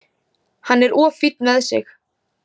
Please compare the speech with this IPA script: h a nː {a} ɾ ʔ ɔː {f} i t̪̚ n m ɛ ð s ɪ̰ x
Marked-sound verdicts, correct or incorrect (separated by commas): incorrect, correct